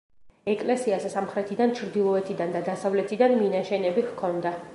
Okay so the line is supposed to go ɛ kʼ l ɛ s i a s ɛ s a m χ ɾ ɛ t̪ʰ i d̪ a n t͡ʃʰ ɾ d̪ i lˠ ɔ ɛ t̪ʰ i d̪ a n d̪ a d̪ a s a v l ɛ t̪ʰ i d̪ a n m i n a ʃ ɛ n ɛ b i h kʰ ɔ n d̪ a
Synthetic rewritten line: ɛ kʼ l ɛ s i a s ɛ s a m χ ɾ ɛ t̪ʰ i d̪ a n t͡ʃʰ ɾ d̪ i lˠ ɔ ɛ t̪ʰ i d̪ a n d̪ a d̪ a s a v l ɛ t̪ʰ i d̪ a n m i n a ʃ ɛ n ɛ b i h kʰ ɔ n d̪ a